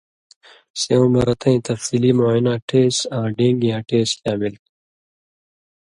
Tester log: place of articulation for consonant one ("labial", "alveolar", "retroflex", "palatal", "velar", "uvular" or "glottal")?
alveolar